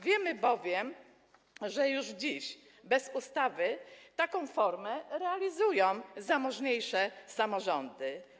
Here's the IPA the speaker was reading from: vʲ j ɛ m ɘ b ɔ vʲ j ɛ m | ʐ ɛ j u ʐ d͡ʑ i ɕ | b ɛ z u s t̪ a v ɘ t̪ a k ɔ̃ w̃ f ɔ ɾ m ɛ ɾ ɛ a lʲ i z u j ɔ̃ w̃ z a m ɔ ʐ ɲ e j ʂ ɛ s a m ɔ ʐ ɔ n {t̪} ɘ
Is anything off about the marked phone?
yes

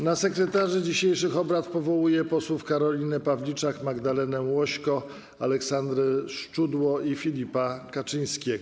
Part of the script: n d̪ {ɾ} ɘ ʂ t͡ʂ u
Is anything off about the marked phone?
no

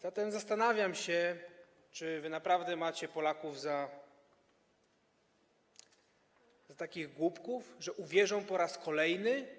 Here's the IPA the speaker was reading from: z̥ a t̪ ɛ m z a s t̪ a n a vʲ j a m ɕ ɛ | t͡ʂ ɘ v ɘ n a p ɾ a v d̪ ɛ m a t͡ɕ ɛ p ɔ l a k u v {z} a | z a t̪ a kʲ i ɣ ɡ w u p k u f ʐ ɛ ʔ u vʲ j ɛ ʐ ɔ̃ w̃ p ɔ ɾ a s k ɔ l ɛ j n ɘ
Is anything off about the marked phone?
no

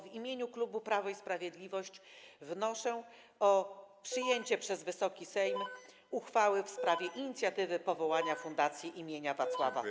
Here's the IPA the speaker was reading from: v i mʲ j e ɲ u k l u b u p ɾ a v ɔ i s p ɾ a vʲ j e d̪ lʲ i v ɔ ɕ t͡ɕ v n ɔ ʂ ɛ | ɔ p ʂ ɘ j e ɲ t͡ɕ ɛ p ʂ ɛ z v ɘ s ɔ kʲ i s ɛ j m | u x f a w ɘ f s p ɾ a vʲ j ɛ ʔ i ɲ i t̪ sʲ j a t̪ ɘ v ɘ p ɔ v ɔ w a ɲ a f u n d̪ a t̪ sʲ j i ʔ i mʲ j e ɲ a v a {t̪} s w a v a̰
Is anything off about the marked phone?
no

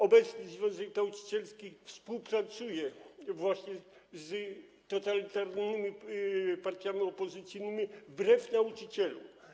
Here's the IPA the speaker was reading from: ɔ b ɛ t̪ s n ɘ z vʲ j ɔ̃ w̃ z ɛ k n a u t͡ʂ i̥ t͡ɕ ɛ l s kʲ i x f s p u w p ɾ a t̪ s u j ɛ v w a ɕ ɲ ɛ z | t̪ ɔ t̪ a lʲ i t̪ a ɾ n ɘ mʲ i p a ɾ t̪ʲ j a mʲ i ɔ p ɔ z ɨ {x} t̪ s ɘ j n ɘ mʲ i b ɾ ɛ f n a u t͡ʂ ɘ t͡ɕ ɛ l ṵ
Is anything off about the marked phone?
yes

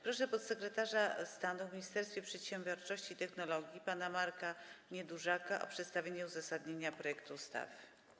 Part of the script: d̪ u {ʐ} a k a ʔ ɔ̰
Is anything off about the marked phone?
no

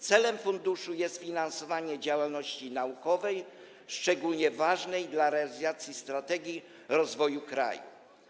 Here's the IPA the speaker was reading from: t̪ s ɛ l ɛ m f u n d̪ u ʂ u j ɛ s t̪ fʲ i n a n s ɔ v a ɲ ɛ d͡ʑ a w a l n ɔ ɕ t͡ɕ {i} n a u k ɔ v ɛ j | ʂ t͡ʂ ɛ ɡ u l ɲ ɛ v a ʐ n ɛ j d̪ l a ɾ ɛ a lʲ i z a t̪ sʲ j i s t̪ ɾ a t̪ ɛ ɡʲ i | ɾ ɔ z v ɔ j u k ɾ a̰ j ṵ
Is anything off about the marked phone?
no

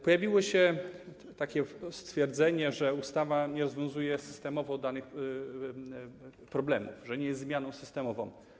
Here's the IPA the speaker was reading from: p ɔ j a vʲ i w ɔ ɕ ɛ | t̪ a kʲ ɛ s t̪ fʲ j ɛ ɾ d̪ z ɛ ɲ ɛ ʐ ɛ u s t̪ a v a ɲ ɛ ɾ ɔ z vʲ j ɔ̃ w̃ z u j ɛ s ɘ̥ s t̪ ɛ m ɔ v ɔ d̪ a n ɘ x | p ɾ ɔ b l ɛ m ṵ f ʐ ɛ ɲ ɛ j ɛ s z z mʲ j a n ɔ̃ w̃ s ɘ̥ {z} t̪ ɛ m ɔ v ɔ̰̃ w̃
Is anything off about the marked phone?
yes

